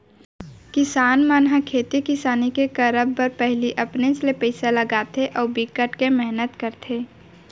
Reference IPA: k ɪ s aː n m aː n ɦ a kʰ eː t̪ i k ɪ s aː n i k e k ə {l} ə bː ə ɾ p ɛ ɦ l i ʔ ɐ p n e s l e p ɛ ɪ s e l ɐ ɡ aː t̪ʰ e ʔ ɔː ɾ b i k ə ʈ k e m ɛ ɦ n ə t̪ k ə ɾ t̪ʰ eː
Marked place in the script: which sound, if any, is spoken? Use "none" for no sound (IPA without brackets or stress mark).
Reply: ɾ